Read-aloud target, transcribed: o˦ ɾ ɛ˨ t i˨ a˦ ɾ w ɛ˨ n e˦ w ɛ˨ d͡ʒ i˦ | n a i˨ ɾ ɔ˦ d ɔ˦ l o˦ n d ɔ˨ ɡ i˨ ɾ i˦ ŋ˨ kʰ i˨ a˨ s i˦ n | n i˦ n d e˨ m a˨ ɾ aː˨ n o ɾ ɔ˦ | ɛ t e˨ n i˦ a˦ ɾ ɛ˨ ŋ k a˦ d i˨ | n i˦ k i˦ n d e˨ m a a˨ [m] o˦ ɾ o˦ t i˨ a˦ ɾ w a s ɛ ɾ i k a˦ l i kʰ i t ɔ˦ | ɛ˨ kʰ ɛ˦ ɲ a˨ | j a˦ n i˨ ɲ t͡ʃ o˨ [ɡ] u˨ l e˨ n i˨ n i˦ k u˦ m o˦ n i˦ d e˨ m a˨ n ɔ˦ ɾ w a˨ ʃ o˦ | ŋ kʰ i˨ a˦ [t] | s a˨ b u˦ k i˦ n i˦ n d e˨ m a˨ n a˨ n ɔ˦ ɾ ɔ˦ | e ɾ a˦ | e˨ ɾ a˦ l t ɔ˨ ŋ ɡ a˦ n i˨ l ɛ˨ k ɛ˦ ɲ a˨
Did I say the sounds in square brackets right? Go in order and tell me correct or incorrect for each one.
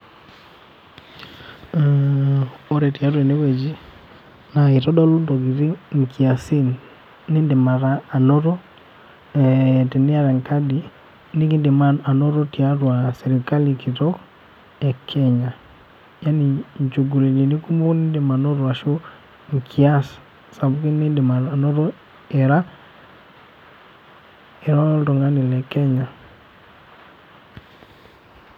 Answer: incorrect: n, correct, incorrect: s

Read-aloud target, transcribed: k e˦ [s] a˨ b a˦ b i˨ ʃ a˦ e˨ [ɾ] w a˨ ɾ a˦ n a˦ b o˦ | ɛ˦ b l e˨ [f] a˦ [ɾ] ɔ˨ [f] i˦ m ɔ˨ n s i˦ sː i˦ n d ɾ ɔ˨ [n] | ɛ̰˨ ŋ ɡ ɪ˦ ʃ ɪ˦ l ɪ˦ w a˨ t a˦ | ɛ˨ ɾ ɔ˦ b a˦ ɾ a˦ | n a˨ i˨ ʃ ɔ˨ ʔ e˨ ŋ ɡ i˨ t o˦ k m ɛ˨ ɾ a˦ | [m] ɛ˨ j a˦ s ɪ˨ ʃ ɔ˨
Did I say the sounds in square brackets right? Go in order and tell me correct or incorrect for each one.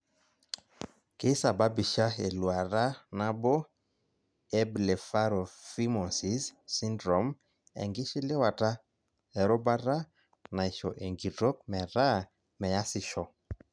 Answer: correct, incorrect: l, correct, correct, correct, incorrect: m, correct

